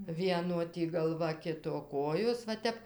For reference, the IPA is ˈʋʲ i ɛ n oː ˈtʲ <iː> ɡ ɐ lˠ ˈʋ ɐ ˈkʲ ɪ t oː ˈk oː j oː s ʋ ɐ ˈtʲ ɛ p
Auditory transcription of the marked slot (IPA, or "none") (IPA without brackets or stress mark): iː